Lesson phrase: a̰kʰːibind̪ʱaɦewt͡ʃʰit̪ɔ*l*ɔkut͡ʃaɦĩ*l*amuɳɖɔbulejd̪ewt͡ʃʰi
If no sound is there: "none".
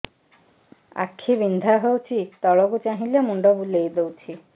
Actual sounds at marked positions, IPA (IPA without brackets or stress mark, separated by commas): ɭ, l